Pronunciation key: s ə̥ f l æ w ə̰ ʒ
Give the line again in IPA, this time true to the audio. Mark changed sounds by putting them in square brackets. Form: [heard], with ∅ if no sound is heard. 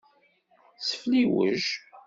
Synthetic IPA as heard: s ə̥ f l [i] w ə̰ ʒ